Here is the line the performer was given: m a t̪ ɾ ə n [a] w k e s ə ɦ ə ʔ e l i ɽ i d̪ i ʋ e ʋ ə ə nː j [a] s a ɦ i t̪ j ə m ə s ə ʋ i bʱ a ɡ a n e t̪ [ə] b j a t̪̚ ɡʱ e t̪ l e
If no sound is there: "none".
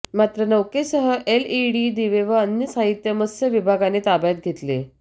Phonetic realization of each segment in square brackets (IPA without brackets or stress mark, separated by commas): ə, ə, a